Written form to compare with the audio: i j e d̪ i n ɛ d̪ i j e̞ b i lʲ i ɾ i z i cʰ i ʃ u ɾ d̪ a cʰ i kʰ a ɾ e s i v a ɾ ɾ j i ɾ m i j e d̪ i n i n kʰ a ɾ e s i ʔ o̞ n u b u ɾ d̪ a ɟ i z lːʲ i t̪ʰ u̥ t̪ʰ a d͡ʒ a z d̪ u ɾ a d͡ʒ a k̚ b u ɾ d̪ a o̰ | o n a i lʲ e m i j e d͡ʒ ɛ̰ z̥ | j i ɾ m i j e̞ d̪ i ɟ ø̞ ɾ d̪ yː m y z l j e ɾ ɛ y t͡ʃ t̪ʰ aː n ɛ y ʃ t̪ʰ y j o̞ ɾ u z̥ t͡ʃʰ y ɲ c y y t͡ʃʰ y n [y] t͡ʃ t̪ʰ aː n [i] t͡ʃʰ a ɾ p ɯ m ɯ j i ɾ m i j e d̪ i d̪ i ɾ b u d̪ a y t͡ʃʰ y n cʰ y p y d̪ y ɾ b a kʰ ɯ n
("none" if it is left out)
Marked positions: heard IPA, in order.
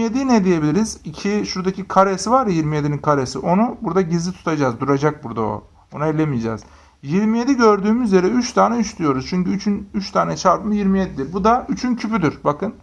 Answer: y, ɛ

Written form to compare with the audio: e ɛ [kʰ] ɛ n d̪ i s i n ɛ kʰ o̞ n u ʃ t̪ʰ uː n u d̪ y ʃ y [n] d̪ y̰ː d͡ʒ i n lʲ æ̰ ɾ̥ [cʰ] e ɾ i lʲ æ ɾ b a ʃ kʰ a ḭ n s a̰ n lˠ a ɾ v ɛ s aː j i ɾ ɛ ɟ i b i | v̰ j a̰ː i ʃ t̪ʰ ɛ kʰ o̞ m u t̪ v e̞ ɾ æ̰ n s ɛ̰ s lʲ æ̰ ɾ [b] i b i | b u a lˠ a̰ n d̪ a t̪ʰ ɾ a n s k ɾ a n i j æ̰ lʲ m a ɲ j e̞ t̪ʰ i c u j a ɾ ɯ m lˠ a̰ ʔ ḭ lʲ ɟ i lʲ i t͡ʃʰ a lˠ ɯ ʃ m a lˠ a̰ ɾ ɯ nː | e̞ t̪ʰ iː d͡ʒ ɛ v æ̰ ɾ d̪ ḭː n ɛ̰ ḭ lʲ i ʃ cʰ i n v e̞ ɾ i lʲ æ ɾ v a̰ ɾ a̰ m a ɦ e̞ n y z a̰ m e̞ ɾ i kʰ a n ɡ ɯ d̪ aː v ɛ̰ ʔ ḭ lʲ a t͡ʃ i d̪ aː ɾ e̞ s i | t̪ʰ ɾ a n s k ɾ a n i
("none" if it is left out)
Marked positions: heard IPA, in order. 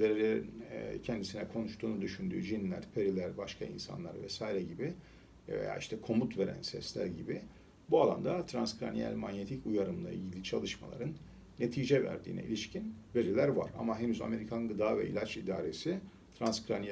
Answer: cʰ, n, pʰ, ɟ

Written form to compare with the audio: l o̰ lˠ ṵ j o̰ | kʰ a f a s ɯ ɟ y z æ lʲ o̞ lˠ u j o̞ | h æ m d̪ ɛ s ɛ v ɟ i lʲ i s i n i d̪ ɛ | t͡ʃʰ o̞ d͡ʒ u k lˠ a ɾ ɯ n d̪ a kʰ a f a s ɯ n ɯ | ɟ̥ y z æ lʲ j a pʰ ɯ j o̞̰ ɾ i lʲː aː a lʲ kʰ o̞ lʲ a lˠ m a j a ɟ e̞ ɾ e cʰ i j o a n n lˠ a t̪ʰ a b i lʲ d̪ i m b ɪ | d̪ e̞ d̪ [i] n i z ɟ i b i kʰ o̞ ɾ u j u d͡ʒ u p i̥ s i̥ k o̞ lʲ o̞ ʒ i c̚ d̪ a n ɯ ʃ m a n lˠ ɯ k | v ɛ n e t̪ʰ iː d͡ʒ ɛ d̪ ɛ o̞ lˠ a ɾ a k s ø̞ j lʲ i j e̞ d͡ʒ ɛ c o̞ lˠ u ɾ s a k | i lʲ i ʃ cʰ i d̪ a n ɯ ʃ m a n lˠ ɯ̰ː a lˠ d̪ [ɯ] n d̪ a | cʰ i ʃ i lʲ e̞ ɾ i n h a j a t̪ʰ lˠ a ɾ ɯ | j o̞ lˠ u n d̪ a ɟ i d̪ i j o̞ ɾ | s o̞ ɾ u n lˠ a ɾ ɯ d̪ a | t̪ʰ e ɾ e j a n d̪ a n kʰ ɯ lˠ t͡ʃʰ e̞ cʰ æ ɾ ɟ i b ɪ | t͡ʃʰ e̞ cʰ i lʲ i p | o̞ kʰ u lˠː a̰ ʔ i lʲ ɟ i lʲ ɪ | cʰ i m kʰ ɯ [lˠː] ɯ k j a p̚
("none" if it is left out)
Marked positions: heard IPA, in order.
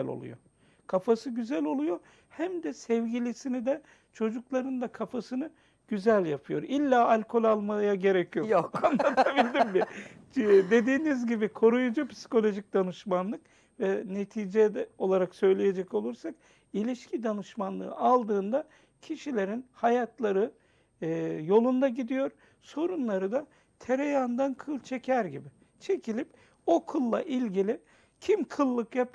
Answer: iː, ɯː, lˠː

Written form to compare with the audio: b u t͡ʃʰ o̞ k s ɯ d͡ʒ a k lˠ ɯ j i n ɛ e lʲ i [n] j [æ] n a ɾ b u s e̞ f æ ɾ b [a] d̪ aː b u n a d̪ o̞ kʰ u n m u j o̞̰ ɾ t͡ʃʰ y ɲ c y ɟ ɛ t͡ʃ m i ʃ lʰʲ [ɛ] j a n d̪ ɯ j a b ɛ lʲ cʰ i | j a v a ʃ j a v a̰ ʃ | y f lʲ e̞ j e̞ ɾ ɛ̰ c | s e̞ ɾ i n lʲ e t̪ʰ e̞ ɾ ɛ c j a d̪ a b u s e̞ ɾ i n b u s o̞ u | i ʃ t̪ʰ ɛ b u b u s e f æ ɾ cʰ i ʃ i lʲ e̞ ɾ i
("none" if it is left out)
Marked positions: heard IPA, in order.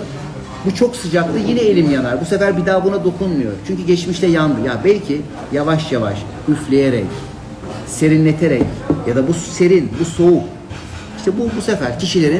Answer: m, a, i, ɛ

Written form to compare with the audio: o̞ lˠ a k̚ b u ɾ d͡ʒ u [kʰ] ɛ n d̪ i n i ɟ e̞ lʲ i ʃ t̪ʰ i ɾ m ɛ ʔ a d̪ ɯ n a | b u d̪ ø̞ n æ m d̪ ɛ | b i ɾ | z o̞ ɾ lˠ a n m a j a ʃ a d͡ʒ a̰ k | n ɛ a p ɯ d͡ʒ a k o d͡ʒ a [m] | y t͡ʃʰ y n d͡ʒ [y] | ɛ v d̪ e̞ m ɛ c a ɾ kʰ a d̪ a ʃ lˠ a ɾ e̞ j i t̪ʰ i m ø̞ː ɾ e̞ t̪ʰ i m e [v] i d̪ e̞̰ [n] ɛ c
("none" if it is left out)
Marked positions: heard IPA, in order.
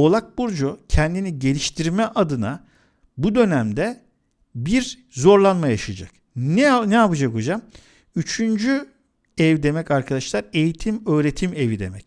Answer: cʰ, m, y, v, m

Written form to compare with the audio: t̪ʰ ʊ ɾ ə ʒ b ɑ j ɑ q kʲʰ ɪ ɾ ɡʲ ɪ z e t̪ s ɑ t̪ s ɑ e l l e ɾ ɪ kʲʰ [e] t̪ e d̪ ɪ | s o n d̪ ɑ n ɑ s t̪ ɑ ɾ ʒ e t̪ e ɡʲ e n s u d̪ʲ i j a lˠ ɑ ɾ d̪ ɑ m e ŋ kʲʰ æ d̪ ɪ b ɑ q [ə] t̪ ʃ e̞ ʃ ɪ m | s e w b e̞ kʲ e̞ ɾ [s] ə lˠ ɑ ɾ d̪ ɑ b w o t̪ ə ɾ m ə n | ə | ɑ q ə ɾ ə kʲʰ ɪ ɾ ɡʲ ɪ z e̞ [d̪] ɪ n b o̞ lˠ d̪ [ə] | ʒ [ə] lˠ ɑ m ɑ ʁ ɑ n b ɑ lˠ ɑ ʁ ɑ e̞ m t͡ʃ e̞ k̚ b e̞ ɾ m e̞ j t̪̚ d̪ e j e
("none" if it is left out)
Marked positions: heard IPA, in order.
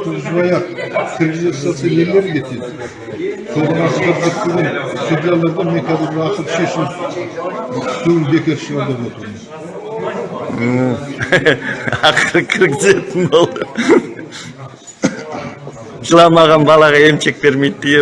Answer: e, ə, ʃ, t̪, ə, ə

